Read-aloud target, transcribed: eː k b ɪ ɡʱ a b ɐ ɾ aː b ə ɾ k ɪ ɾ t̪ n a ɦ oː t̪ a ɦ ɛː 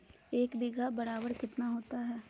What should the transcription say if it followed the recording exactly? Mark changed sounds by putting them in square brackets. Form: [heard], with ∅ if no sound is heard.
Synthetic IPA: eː k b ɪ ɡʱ a b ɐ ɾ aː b ə ɾ k ɪ [∅] t̪ n a ɦ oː t̪ a ɦ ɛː